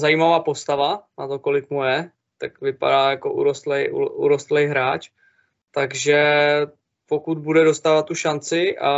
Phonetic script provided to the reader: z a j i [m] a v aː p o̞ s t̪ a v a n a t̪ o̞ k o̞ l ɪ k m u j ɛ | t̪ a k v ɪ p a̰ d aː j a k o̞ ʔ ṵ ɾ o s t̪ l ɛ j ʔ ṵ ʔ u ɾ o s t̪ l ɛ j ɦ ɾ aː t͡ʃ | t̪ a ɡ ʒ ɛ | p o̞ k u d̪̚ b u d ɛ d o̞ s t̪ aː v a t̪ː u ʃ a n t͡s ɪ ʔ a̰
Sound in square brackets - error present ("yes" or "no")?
no